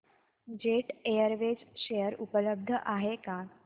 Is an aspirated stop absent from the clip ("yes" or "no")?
yes